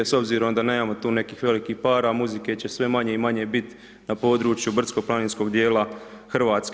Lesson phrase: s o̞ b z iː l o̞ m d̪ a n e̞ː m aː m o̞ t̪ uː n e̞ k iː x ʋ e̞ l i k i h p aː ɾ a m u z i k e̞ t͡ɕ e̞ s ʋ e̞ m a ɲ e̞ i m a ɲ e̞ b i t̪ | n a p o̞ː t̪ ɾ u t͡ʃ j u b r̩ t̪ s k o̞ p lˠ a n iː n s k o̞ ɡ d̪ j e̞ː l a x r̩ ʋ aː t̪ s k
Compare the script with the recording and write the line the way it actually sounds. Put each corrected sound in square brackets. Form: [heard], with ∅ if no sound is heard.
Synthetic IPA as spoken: s o̞ b z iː [ɾ] o̞ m d̪ a n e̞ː m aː m o̞ t̪ uː n e̞ k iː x ʋ e̞ l i k i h p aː ɾ a m u z i k e̞ t͡ɕ e̞ s ʋ e̞ m a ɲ e̞ i m a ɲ e̞ b i t̪ | n a p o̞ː [d̪] ɾ u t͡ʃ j u b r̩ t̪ s k o̞ p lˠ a n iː n s k o̞ ɡ d̪ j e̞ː l a x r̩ ʋ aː t̪ s k